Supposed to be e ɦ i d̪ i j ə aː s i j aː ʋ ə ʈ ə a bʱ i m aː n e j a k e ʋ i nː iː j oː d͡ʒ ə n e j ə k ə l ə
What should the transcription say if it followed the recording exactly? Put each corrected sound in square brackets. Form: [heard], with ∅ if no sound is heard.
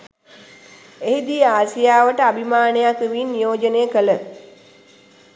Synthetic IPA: e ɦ i d̪ i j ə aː s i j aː ʋ ə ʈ ə a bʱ i m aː n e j a k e ʋ i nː [i] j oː d͡ʒ ə n e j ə k ə l ə